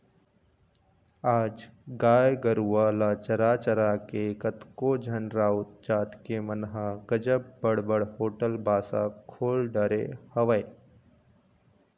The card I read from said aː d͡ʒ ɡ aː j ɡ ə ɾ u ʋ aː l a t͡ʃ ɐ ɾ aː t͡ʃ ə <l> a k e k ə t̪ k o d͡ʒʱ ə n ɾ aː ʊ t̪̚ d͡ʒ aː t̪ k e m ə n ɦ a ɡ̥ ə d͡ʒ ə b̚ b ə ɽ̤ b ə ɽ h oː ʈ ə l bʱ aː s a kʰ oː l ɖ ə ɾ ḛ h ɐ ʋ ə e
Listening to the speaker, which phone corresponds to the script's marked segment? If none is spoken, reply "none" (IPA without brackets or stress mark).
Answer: ɾ